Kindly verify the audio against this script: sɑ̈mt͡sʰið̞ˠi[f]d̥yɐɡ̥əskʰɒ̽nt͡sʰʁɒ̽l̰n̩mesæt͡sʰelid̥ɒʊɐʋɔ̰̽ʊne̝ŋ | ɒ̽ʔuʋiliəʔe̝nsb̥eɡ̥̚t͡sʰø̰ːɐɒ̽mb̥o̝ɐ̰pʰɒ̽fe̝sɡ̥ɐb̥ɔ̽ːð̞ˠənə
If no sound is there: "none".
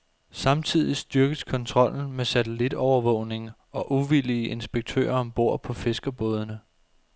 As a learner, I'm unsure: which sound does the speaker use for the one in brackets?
s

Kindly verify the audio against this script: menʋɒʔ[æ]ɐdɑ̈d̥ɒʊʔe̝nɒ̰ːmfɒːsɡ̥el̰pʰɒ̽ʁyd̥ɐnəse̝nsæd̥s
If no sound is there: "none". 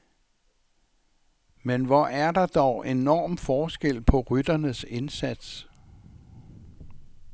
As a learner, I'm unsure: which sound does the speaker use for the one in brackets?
æ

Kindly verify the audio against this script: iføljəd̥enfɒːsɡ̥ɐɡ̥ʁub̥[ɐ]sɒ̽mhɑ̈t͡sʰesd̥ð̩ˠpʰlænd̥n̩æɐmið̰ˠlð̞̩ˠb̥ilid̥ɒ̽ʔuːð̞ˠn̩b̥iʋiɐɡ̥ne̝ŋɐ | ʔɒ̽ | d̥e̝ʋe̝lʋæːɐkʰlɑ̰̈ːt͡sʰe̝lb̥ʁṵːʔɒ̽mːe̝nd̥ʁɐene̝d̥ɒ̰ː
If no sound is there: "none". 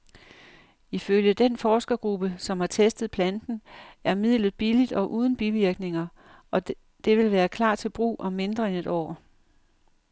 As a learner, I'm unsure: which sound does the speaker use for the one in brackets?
ə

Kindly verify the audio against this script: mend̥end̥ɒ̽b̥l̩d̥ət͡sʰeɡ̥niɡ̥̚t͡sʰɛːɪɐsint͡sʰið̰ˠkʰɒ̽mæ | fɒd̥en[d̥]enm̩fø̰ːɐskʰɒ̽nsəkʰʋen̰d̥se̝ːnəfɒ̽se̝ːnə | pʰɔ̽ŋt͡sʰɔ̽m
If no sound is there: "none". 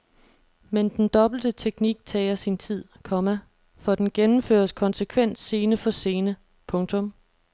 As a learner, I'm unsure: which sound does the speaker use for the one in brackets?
ɡ̥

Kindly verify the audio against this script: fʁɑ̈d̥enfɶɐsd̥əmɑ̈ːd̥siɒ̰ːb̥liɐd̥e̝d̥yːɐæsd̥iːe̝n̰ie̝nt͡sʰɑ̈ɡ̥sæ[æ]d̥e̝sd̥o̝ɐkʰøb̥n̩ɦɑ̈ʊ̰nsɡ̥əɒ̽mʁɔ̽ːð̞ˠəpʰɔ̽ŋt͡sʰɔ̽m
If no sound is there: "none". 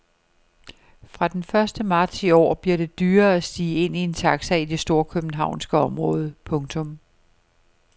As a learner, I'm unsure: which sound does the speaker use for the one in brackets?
i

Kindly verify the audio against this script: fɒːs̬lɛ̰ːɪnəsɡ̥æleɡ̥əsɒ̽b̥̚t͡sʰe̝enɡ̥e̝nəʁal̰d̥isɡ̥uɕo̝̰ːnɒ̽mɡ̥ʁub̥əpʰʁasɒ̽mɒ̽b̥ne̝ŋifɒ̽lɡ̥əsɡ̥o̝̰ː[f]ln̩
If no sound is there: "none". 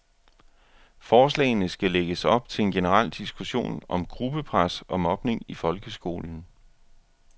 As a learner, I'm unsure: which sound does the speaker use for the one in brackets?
none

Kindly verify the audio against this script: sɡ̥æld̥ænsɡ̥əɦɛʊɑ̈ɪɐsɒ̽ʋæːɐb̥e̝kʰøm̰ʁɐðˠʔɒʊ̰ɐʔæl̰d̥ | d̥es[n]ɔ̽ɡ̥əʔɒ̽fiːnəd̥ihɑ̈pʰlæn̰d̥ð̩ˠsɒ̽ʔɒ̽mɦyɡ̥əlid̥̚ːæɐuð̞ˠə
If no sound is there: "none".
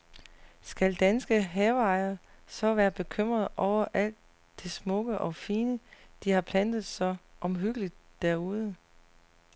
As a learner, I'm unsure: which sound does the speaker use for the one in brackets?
m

